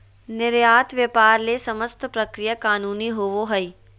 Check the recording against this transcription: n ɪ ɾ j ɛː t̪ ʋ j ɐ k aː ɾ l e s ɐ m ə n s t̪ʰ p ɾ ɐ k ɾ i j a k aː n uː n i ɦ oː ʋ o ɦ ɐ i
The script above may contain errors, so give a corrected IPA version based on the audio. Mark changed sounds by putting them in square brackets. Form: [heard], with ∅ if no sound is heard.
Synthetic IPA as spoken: n ɪ ɾ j [aː] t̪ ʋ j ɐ [p] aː ɾ l e s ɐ m ə [∅] s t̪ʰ p ɾ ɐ k ɾ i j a k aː n uː n i ɦ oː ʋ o ɦ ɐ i